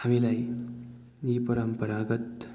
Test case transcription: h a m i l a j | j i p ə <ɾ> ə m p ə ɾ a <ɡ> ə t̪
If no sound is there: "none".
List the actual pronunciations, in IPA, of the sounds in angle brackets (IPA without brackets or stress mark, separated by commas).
ɾ, ɡ